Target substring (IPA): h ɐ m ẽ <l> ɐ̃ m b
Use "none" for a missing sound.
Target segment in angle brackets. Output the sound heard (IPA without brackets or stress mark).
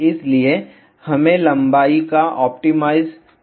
l